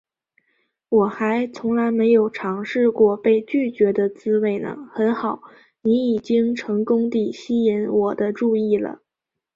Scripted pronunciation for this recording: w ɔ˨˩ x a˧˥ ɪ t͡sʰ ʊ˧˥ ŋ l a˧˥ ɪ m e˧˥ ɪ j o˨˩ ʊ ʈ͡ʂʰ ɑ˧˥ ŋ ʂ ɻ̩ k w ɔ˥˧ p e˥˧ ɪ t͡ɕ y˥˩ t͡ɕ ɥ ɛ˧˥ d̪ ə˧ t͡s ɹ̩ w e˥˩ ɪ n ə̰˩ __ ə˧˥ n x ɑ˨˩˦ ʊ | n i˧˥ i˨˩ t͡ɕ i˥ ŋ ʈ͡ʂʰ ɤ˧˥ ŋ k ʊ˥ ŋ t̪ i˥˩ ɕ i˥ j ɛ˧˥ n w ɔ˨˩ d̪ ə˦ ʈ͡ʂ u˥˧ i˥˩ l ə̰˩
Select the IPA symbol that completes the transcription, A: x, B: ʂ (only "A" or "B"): A